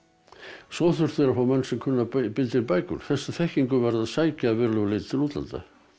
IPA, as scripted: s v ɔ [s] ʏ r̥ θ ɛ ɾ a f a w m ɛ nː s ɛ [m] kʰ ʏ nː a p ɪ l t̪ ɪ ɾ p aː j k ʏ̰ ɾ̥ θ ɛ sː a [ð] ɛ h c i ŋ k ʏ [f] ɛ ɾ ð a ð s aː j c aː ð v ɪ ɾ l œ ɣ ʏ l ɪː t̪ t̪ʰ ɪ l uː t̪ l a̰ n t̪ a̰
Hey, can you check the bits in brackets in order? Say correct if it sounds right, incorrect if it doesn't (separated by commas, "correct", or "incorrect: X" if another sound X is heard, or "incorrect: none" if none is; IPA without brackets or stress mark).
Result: incorrect: θ, correct, incorrect: θ, incorrect: v